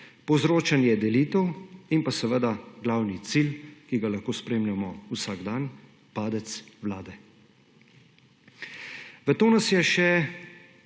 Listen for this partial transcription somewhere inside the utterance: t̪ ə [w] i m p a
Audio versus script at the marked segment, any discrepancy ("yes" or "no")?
no